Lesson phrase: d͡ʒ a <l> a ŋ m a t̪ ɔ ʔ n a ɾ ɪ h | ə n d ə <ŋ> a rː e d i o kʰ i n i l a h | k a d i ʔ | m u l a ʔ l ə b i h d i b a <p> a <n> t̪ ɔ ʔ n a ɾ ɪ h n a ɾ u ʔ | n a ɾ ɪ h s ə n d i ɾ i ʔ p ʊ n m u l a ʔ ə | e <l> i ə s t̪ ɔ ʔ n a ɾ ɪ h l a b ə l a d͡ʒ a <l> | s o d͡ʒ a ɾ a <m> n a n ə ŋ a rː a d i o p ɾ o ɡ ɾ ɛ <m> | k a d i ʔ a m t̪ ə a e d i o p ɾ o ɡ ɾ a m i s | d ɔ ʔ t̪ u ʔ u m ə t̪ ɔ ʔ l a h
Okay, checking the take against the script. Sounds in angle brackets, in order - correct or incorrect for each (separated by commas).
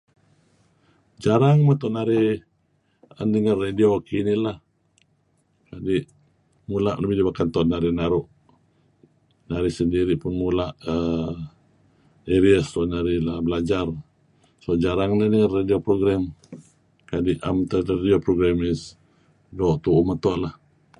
incorrect, correct, incorrect, correct, incorrect, incorrect, incorrect, correct